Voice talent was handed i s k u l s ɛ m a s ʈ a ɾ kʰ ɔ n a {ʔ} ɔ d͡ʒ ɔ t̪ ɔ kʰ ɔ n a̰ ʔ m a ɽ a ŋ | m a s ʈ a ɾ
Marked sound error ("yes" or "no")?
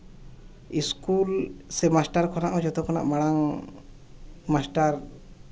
no